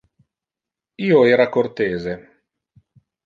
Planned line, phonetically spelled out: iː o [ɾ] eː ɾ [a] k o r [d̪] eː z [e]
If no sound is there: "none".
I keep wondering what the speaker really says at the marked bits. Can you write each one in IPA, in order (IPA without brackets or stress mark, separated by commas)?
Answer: none, a, t̪, e